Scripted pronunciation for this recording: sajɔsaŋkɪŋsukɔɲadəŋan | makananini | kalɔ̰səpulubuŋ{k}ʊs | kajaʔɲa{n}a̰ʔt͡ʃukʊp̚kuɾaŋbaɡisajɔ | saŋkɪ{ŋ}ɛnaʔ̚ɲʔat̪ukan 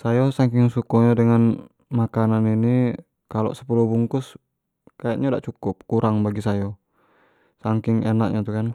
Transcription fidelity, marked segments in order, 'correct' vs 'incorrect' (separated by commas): correct, incorrect, correct